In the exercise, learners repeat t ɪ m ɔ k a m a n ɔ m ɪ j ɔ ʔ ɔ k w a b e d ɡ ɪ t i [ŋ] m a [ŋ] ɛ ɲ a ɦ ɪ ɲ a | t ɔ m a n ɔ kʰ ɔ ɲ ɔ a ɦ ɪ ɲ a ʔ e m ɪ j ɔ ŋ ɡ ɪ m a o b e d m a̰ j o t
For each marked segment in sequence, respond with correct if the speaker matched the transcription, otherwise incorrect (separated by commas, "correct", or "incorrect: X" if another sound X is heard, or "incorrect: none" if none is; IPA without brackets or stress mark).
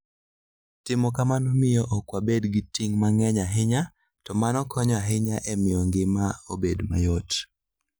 correct, correct